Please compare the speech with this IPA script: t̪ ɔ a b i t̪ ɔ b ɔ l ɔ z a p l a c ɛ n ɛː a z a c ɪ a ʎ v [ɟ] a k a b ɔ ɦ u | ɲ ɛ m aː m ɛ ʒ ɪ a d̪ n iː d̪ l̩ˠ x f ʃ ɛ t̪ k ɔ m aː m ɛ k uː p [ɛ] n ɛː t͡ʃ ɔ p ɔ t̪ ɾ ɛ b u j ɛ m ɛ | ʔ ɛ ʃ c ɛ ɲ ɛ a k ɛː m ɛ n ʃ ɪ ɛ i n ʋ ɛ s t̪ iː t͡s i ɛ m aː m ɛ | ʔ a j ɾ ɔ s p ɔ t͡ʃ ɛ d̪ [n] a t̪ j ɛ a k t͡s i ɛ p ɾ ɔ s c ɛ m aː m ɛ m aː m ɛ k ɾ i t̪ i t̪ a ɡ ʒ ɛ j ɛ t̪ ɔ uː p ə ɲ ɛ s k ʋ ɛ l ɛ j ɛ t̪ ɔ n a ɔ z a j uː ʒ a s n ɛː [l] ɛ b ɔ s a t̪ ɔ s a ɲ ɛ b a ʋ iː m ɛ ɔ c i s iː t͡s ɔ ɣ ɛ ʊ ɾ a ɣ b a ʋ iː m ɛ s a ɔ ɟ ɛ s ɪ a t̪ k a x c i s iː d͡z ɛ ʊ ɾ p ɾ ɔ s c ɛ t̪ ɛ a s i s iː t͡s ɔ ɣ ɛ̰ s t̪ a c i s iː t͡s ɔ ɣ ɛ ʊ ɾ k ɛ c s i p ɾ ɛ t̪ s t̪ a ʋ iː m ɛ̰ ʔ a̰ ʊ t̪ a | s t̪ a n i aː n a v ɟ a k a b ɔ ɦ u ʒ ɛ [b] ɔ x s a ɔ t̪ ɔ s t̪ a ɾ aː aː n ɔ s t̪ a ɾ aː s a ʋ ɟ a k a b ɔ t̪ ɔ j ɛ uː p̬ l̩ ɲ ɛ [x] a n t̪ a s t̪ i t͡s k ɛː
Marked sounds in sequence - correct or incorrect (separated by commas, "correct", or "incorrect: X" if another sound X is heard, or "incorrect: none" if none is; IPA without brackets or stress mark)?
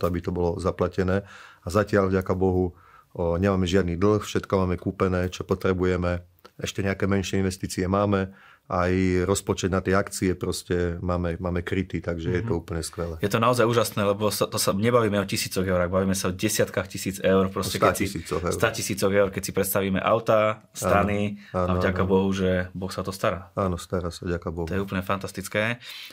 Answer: correct, correct, correct, correct, correct, incorrect: f